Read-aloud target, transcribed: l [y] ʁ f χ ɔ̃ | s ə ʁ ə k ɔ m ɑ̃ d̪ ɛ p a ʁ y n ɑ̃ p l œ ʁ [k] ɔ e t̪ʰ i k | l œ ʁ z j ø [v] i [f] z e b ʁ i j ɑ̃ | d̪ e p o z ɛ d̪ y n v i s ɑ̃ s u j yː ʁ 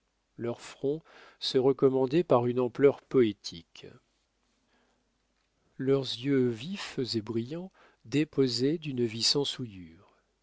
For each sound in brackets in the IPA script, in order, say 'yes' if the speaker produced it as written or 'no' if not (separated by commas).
no, no, yes, yes